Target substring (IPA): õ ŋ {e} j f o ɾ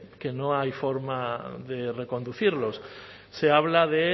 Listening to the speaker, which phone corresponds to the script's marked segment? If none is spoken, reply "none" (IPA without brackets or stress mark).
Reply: a